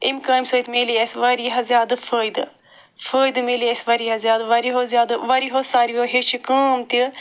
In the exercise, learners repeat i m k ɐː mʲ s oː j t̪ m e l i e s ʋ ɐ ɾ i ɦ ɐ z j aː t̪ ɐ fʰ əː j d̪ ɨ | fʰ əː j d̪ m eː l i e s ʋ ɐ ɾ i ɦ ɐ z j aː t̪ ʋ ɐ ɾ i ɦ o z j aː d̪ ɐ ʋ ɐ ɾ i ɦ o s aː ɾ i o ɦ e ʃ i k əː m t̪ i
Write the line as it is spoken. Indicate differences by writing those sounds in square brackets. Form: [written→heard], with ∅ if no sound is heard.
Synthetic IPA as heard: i m k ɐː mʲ s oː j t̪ m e l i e s ʋ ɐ ɾ i ɦ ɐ z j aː [t̪→d̪] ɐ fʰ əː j d̪ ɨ | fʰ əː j d̪ m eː l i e s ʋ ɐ ɾ i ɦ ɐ z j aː [t̪→d̪] ʋ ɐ ɾ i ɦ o z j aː d̪ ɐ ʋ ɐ ɾ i ɦ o s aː ɾ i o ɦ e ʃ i k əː m t̪ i